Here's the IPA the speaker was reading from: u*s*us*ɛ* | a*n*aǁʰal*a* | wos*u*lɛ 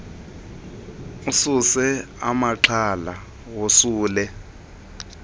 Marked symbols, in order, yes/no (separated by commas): yes, yes, no, yes, no